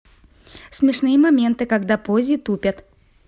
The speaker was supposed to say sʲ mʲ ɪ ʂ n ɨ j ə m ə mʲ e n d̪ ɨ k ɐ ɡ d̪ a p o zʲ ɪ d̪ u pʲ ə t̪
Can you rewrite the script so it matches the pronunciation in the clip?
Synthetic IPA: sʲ mʲ ɪ ʂ n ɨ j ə m ɐ mʲ e n t̪ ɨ k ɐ ɡ d̪ a p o zʲ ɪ t̪ u pʲ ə t̪